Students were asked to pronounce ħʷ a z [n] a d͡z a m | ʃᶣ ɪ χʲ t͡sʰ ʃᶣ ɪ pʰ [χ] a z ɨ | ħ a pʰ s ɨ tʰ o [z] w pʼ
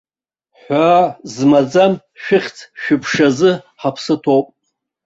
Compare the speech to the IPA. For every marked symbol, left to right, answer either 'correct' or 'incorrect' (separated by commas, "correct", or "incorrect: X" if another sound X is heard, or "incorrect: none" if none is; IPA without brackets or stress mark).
incorrect: m, incorrect: ʂ, incorrect: none